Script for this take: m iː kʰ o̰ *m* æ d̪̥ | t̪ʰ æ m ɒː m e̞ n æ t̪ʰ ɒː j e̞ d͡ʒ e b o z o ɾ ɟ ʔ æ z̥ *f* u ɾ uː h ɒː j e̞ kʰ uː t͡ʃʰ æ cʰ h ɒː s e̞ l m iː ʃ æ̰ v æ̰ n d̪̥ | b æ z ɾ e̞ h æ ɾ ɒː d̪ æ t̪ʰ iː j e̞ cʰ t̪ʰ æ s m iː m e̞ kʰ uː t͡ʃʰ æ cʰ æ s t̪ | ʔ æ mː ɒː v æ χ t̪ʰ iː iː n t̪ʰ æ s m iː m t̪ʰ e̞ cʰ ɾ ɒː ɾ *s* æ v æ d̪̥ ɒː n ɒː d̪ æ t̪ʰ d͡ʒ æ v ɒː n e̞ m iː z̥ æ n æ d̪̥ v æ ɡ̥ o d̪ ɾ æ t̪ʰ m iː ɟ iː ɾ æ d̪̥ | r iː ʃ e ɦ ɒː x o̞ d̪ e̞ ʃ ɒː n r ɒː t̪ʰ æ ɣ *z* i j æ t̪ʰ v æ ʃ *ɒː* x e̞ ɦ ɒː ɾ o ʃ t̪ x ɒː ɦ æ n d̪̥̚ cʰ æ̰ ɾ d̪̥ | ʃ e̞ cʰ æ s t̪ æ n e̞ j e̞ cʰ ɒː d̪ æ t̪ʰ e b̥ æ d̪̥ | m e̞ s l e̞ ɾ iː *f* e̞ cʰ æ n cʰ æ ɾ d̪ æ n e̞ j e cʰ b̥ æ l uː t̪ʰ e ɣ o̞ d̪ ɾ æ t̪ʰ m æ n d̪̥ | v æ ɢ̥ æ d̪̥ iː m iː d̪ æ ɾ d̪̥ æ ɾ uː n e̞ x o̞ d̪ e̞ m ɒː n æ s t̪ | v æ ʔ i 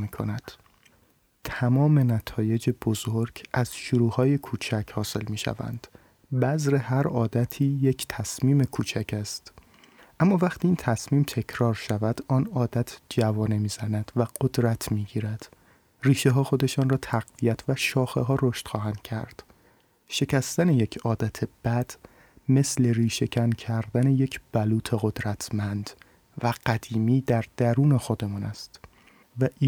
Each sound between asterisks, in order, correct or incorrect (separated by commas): incorrect, incorrect, incorrect, incorrect, correct, incorrect